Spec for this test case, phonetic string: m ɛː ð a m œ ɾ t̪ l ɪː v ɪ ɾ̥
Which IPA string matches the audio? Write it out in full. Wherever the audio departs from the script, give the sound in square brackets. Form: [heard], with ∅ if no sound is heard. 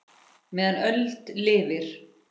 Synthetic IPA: m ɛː ð a [n] œ [l] t̪ l ɪː v ɪ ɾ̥